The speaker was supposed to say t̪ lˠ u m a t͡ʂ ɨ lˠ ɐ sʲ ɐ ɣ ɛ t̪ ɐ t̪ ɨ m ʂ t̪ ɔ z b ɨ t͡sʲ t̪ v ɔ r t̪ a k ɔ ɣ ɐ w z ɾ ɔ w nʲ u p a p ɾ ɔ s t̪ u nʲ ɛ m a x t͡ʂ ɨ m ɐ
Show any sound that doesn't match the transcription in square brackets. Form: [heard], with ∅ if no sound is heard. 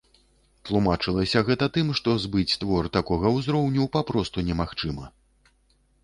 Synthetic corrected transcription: t̪ lˠ u m a t͡ʂ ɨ lˠ ɐ sʲ ɐ ɣ ɛ t̪ ɐ t̪ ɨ m ʂ t̪ ɔ z b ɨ t͡sʲ t̪ v ɔ r t̪ a k ɔ ɣ ɐ w z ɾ ɔ w nʲ u p a p ɾ ɔ s t̪ u nʲ ɛ m a x t͡ʂ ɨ m ɐ